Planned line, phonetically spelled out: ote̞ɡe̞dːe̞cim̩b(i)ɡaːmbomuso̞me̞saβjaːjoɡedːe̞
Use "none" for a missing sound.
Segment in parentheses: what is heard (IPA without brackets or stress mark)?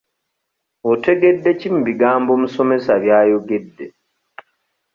i